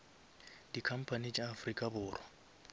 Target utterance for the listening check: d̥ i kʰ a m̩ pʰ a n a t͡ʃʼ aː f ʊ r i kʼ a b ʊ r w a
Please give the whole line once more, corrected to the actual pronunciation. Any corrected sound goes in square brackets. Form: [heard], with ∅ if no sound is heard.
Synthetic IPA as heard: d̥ i kʰ a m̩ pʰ a n [i] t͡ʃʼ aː f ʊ r i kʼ a b [ʊː] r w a